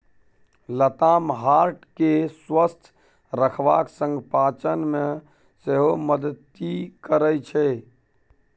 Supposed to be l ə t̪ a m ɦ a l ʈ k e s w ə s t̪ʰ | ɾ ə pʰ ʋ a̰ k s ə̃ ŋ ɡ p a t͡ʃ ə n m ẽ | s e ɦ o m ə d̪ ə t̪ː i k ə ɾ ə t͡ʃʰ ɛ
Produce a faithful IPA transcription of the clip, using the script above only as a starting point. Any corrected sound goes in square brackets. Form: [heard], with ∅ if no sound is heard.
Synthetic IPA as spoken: l ə t̪ a m ɦ a [ɾ] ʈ k e s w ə s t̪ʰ | ɾ ə [kʰ] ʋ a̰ k s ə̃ ŋ ɡ p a t͡ʃ ə n m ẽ | s e ɦ o m ə d̪ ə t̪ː i k ə ɾ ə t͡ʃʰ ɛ